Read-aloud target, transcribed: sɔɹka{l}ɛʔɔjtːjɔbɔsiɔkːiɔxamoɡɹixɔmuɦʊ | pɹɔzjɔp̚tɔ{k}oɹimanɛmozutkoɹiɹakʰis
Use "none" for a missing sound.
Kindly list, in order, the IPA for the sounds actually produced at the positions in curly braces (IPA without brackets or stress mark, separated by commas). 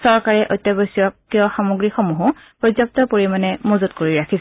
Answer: ɹ, p